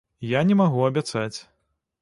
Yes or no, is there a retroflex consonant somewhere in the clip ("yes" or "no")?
no